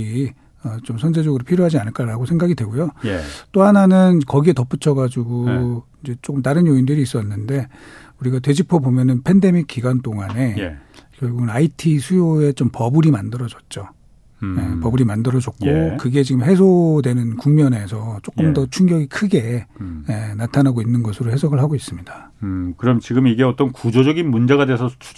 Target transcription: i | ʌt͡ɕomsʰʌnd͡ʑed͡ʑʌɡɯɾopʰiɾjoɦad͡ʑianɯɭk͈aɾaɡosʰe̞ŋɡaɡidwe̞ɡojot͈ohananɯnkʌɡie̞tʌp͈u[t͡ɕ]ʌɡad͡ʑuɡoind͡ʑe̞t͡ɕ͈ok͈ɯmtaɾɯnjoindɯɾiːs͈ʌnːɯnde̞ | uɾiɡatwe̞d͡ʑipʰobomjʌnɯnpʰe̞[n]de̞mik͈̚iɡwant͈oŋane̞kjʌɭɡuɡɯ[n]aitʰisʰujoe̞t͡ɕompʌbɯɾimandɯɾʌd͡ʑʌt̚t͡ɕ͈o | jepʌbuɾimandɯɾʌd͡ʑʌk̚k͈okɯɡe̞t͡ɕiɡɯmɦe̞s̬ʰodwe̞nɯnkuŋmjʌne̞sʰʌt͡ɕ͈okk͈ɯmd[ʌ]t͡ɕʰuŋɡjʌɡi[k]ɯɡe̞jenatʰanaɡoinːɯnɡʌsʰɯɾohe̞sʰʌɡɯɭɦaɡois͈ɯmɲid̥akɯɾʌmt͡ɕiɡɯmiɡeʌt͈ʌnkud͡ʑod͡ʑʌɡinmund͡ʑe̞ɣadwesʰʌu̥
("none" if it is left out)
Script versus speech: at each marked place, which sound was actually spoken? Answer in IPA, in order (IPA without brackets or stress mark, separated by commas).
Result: t͡ɕʰ, n, n, ʌ, kʰ